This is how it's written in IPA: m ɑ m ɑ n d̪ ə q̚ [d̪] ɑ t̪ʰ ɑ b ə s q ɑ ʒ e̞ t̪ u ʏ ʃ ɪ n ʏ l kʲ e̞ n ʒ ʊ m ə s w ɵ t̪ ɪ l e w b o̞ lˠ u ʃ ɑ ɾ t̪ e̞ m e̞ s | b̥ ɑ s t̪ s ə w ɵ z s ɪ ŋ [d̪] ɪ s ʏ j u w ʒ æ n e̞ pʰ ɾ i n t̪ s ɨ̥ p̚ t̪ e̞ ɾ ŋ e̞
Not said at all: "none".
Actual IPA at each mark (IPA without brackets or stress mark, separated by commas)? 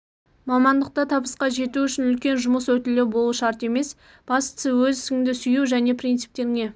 t̪, d̪